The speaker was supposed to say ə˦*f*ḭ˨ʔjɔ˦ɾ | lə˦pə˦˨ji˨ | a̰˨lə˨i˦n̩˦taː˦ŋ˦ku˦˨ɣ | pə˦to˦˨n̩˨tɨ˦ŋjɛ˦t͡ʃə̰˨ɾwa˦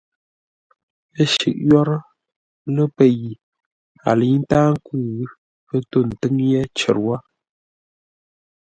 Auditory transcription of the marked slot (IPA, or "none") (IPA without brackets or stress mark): ʃ